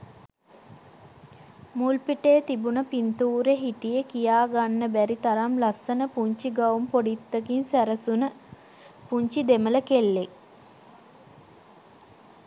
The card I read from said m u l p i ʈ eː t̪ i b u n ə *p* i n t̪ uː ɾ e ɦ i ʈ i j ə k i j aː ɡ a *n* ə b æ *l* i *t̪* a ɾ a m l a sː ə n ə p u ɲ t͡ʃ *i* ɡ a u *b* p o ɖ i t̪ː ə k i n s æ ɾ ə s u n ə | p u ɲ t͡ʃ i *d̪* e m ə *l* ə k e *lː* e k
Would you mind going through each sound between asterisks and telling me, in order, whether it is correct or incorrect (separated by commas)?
correct, incorrect, incorrect, correct, correct, incorrect, correct, correct, correct